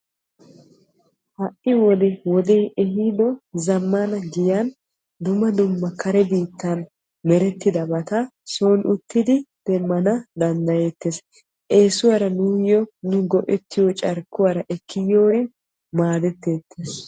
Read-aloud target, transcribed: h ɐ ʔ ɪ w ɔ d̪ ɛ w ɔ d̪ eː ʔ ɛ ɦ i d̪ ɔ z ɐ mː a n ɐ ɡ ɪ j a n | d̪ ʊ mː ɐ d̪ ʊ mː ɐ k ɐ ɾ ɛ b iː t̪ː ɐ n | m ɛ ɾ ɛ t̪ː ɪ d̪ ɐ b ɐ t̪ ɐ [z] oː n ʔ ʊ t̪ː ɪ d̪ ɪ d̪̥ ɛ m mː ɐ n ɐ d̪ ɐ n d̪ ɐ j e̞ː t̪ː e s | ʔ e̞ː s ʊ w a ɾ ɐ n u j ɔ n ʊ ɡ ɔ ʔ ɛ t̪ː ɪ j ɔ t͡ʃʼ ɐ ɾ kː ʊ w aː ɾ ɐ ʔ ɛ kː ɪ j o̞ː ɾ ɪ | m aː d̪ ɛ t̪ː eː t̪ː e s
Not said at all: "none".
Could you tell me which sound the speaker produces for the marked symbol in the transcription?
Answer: s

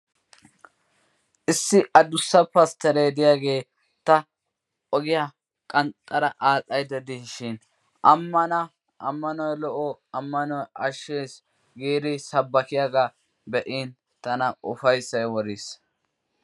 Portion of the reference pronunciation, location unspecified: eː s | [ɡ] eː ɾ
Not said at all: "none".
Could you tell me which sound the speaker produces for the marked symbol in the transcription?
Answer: ɡ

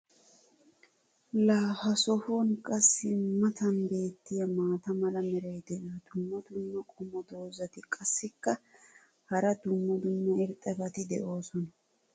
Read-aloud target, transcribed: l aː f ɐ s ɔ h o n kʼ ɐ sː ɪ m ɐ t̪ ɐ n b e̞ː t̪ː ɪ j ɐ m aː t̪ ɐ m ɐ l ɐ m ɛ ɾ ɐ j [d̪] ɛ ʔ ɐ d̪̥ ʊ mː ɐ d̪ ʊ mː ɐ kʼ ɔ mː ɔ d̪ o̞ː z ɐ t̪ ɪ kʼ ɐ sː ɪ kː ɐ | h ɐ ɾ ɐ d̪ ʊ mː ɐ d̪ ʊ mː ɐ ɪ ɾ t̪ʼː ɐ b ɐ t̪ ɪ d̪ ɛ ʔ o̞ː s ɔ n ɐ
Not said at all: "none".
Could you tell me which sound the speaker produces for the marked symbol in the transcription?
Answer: d̪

